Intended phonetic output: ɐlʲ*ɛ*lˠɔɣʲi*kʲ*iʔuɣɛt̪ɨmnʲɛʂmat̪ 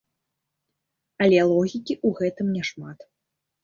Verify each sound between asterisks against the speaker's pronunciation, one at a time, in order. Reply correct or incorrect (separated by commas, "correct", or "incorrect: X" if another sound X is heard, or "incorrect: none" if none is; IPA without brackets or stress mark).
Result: correct, correct